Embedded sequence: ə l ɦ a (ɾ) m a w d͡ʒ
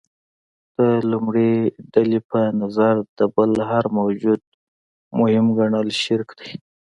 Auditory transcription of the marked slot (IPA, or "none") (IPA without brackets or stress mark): ɾ